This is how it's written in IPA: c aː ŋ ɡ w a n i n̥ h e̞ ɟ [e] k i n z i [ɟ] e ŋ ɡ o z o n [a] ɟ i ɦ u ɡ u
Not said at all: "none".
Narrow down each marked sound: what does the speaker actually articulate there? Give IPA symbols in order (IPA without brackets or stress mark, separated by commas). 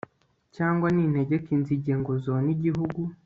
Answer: e, ɟ, i